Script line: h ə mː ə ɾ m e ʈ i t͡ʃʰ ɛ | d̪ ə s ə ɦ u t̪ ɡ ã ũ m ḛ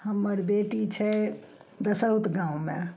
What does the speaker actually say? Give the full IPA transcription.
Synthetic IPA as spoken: h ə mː ə ɾ b e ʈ i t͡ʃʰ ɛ | d̪ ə s ə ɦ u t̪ ɡ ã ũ m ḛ

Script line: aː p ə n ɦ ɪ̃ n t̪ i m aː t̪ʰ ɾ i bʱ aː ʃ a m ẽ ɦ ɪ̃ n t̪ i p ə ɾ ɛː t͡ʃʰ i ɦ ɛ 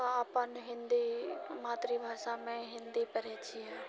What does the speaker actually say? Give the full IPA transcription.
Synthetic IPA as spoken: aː p ə n ɦ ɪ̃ n d̪ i m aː t̪ ɾ i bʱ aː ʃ a m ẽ ɦ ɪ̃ n d̪ i p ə ɾ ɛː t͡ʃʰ i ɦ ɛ

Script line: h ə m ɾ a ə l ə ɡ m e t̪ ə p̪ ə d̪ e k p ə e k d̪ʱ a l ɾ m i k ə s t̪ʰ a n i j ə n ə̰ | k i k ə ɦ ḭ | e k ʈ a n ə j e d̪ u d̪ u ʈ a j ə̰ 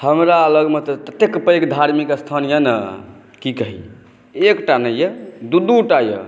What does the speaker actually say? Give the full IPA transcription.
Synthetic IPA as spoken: h ə m ɾ a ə l ə ɡ m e t̪ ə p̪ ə t̪ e k p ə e k d̪ʱ a ɾ m i k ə s t̪ʰ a n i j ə n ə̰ | k i k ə ɦ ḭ | e k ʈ a n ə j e d̪ u d̪ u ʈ a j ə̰

